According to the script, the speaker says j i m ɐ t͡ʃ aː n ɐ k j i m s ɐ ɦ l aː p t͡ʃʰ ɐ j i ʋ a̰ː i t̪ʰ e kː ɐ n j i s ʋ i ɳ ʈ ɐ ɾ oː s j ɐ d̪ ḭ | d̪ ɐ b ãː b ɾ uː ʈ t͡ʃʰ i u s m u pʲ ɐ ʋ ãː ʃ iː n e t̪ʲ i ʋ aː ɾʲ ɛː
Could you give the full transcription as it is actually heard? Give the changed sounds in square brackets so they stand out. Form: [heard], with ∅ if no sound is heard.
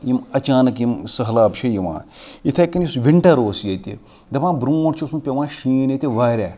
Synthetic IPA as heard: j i m ɐ t͡ʃ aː n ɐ k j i m s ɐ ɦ l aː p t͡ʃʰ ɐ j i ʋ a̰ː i t̪ʰ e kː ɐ n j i s ʋ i ɳ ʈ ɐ ɾ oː s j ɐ [t̪] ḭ | d̪ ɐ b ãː b ɾ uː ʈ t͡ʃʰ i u s m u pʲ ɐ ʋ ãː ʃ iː n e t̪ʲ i ʋ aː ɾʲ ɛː